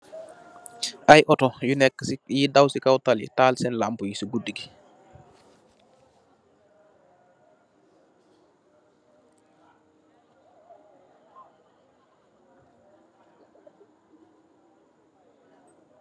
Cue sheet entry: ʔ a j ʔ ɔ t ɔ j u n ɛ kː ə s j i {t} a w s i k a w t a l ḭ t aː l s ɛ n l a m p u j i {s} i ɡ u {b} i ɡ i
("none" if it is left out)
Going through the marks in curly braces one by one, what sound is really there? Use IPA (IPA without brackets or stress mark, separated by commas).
d, s, d